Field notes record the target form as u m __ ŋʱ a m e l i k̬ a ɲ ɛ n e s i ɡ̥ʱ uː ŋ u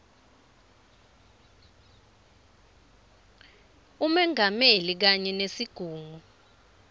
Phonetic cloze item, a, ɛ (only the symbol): ɛ